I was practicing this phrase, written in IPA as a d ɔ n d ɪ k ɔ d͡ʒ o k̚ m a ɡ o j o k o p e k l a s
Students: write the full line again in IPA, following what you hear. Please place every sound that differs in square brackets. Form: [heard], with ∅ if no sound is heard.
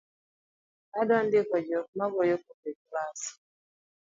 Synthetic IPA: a d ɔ n d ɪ k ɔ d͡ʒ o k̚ m a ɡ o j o k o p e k l a s